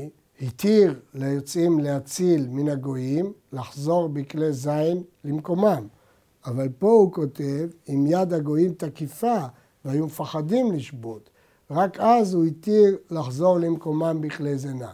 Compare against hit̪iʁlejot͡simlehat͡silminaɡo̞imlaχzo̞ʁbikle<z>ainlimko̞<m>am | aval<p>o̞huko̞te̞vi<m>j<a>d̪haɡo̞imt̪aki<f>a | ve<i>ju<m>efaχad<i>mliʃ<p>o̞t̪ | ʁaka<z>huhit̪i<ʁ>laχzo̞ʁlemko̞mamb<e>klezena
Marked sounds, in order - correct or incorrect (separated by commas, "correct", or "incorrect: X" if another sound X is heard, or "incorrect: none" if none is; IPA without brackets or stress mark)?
correct, correct, correct, correct, correct, correct, incorrect: a, correct, correct, incorrect: b, correct, correct, incorrect: i